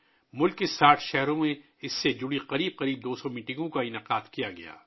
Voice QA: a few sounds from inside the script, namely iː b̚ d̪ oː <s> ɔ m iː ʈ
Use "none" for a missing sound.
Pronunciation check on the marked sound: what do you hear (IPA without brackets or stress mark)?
s